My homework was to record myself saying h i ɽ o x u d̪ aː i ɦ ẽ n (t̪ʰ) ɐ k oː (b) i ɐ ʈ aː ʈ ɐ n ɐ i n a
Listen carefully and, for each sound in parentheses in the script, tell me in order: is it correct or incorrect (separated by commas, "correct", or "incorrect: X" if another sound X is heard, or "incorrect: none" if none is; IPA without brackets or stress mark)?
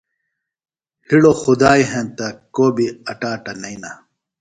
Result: incorrect: t̪, correct